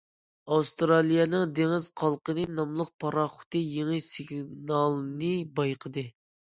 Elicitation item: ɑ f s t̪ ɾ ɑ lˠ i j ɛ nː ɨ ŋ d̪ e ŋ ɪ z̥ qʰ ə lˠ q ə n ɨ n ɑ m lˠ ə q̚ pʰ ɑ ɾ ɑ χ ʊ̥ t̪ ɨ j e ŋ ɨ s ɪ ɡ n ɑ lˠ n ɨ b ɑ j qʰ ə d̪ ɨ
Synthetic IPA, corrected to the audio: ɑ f s t̪ ɾ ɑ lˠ i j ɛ n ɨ ŋ d̪ e ŋ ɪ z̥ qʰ ɑ lˠ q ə n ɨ n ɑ m lˠ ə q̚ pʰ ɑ ɾ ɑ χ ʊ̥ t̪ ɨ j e ŋ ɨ s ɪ ɡ n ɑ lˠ n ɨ b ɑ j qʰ ə d̪ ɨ